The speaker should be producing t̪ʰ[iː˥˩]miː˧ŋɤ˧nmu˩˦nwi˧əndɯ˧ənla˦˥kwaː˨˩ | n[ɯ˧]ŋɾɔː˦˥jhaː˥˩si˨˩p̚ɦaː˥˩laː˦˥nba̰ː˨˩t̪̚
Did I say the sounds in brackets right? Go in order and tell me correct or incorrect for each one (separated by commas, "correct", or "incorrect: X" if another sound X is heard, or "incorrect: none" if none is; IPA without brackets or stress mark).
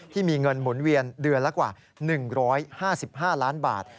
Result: correct, incorrect: ɯ˨˩